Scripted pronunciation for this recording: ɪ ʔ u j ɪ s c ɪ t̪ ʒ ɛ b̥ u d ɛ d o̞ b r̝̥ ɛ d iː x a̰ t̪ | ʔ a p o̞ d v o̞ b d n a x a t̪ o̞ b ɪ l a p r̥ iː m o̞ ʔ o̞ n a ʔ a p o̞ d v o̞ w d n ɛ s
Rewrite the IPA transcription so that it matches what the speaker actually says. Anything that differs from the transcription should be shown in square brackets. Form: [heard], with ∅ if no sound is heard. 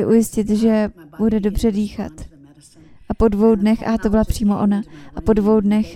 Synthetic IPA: ɪ ʔ u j ɪ s c ɪ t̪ ʒ ɛ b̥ u d ɛ d o̞ b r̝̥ ɛ d iː x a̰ t̪ | ʔ a p o̞ d v o̞ [w] d n [ɛ] x a t̪ o̞ b ɪ l a p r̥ iː m o̞ ʔ o̞ n a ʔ a p o̞ d v o̞ w d n ɛ [x]